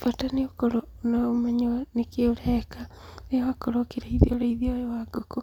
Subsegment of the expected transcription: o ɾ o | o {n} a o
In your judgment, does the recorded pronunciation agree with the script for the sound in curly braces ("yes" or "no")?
yes